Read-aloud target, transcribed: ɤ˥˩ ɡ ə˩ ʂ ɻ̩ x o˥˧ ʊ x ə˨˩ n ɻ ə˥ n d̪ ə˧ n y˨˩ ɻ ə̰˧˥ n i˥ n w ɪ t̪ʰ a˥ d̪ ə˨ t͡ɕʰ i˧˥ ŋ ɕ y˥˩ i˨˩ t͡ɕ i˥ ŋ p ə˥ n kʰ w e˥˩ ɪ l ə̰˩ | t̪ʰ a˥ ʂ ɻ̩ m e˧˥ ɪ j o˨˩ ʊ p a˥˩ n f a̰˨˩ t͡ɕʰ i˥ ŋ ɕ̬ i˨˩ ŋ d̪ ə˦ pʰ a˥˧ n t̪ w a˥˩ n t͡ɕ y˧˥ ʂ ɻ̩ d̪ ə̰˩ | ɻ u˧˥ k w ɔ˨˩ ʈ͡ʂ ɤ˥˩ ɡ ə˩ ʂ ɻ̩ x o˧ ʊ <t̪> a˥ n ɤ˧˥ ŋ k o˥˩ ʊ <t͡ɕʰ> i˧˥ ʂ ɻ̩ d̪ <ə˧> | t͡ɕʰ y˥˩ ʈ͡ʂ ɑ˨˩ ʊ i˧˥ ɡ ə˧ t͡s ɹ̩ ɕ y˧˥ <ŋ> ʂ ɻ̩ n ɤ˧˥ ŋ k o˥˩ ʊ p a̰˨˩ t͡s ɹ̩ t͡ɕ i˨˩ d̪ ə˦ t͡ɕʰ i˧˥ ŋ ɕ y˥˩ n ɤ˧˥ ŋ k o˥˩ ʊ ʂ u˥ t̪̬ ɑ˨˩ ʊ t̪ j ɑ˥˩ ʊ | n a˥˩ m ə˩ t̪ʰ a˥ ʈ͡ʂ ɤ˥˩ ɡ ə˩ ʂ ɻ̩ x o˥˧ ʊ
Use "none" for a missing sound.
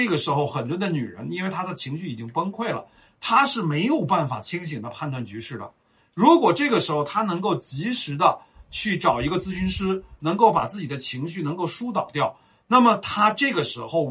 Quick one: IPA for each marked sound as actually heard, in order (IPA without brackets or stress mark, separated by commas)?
t̪ʰ, t͡ɕ, ə˧, n